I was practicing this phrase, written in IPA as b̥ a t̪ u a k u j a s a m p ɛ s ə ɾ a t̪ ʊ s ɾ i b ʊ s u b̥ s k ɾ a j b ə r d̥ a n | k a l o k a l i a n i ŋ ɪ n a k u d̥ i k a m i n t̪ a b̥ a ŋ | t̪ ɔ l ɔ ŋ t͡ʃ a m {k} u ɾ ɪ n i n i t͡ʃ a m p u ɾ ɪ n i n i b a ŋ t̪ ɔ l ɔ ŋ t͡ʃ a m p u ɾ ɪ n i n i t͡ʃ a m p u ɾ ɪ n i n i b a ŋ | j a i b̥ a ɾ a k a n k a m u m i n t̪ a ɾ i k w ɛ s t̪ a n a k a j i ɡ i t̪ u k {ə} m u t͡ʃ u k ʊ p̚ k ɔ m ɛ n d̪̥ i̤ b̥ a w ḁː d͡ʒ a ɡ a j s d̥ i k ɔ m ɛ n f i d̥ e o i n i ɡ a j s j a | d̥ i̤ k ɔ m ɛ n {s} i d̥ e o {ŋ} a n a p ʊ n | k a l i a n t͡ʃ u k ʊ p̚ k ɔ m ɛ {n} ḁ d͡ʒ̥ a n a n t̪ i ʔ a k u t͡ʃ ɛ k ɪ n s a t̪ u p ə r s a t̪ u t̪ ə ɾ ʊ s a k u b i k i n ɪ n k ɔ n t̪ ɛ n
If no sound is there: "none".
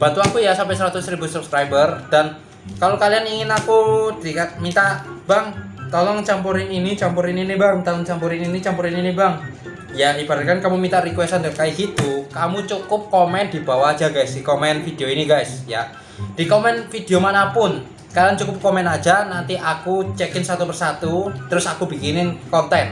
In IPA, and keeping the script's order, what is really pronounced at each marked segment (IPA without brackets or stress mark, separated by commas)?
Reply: p, a, f, m, n